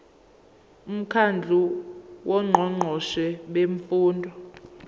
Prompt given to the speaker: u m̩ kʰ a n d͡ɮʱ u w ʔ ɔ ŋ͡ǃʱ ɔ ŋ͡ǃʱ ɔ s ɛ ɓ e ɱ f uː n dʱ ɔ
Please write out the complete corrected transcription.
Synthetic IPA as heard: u m̩ kʰ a n d͡ɮʱ u w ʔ ɔ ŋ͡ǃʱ ɔ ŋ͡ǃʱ ɔ ʃ ɛ ɓ e ɱ f uː n dʱ ɔ